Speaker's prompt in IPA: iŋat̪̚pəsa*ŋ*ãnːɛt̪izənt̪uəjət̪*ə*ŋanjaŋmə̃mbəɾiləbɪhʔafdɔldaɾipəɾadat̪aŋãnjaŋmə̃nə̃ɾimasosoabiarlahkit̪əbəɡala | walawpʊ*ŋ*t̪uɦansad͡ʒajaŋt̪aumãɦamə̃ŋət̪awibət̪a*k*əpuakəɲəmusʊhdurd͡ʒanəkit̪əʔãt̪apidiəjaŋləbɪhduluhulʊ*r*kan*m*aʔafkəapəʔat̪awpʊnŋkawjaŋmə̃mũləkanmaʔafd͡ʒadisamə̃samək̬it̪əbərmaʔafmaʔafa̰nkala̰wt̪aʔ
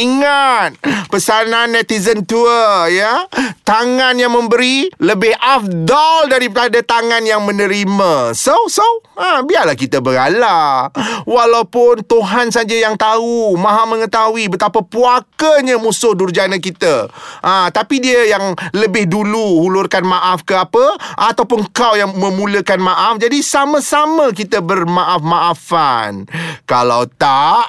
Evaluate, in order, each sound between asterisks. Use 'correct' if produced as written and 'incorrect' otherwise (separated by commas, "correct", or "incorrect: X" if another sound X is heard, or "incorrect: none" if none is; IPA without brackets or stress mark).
incorrect: n, incorrect: a, incorrect: n, incorrect: p, correct, correct